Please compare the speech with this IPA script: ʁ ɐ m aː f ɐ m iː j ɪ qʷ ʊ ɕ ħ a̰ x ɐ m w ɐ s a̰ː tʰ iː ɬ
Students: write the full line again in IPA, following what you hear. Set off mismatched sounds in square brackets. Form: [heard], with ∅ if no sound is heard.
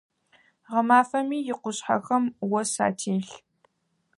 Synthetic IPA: ʁ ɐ m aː f ɐ m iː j ɪ qʷ ʊ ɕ ħ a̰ x ɐ m w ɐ s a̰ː tʰ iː ɬ